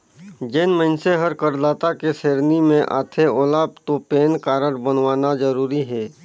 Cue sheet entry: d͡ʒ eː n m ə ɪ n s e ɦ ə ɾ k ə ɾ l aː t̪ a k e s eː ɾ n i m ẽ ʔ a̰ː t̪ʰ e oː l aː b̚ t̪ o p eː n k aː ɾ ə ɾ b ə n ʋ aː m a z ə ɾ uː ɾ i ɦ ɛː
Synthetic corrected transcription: d͡ʒ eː n m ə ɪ n s e ɦ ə ɾ k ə ɾ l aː t̪ a k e s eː ɾ n i m ẽ ʔ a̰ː t̪ʰ e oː l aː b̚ t̪ o p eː n k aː ɾ ə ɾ b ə n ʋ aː n a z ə ɾ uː ɾ i ɦ ɛː